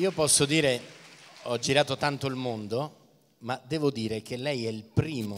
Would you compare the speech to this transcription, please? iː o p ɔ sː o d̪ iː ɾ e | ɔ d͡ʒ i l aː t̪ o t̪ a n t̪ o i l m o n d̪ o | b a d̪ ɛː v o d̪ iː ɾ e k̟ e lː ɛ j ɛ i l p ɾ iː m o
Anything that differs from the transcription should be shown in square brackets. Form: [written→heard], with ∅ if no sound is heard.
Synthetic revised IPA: iː o p ɔ sː o d̪ iː ɾ e | ɔ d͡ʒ i [l→ɾ] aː t̪ o t̪ a n t̪ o i l m o n d̪ o | [b→m] a d̪ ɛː v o d̪ iː ɾ e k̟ e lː ɛ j ɛ i l p ɾ iː m o